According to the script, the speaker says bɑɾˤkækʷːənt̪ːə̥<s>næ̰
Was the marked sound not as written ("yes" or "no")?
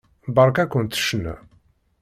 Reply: yes